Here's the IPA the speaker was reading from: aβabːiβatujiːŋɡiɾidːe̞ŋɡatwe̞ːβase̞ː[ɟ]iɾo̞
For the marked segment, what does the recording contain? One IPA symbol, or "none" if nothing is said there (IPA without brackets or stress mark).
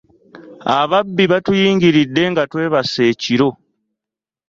c